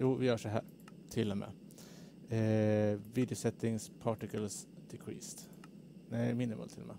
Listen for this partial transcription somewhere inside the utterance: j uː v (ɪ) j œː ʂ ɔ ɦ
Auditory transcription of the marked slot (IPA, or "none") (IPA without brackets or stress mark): ɪ